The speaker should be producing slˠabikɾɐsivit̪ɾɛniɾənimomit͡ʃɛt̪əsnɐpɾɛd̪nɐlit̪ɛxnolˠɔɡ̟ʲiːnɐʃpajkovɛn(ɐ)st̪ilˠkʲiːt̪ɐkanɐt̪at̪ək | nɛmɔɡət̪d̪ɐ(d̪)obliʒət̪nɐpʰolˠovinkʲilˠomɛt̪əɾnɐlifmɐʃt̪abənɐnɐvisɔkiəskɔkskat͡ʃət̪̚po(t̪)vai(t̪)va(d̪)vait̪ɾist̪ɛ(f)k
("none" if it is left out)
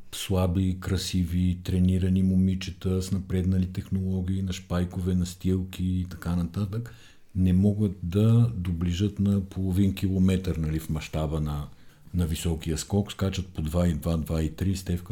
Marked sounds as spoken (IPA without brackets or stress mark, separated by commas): ɐ, d̪, d̪, d̪, d̪, f